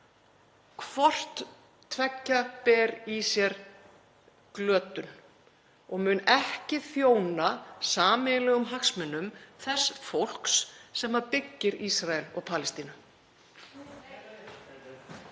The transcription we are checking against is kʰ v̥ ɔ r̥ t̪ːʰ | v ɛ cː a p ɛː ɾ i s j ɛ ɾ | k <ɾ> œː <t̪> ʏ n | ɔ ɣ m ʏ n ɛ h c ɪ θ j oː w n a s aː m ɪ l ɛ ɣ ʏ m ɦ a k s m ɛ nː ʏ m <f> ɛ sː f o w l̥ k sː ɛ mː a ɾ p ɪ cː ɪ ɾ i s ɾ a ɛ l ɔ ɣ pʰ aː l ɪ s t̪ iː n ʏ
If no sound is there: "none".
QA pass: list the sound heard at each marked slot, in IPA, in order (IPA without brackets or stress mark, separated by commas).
l, t̪, θ